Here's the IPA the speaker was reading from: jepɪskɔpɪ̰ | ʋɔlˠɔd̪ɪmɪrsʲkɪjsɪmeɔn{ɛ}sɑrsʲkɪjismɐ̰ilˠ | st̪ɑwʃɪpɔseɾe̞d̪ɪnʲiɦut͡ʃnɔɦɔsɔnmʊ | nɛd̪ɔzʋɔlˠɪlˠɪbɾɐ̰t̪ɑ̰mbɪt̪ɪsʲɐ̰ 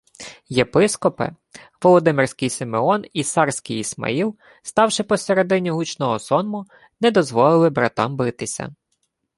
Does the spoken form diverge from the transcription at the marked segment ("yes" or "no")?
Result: yes